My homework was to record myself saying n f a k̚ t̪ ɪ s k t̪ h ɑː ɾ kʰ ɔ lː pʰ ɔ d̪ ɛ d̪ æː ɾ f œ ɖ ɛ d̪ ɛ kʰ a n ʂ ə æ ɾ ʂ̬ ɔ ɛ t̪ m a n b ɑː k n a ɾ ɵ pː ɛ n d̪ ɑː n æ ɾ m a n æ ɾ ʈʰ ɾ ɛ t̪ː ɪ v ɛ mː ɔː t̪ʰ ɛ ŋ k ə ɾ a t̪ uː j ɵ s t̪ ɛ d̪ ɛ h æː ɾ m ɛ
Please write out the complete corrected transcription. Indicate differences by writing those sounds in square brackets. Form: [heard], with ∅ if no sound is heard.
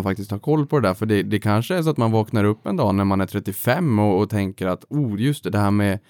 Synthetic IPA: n f a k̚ t̪ ɪ s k t̪ h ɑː ɾ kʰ ɔ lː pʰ ɔ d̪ ɛ d̪ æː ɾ f œ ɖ ɛ d̪ ɛ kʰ a n ʂ ə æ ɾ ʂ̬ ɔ [a] t̪ m a n [v] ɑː k n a ɾ ɵ pː ɛ n d̪ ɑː n æ ɾ m a n æ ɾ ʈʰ ɾ ɛ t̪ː ɪ [f] ɛ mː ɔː t̪ʰ ɛ ŋ k ə ɾ a t̪ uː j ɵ s t̪ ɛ d̪ ɛ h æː ɾ m ɛ